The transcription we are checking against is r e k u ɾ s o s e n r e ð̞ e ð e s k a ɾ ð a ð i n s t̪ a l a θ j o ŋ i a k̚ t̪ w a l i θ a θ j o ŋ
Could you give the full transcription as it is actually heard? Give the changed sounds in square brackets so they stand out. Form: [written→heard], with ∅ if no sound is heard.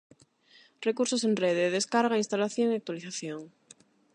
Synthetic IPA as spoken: r e k u ɾ s o s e n r e ð̞ e ð e s k a ɾ [ð→ɣ] a [ð→∅] i n s t̪ a l a θ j o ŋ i a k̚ t̪ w a l i θ a θ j o ŋ